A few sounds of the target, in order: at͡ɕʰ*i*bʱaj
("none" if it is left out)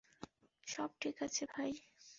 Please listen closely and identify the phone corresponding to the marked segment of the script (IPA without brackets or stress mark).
e